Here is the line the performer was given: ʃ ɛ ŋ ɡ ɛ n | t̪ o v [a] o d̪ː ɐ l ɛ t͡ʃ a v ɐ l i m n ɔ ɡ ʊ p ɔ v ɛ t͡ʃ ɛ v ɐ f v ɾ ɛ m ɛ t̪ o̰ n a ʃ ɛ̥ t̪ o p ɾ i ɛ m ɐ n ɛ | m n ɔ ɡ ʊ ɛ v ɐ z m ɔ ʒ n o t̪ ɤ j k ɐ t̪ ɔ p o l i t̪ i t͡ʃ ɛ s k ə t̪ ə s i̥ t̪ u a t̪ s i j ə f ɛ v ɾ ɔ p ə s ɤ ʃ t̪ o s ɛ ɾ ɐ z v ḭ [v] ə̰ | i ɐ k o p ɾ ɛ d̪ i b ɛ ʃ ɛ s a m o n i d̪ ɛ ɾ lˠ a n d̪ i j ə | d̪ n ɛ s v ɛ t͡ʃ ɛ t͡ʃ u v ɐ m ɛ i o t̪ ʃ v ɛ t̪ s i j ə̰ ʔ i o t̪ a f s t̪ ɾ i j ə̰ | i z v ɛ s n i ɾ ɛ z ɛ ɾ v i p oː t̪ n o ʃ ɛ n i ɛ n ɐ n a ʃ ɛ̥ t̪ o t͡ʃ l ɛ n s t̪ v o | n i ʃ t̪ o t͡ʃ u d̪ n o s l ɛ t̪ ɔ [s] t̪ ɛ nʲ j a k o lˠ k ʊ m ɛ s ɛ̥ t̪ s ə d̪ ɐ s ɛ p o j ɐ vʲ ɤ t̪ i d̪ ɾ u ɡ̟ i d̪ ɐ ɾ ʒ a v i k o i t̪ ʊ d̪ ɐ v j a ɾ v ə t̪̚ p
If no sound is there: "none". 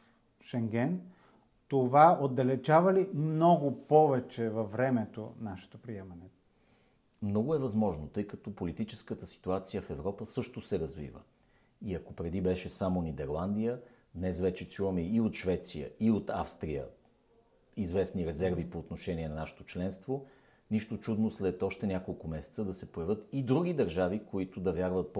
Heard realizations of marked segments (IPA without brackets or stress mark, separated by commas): a, v, ʃ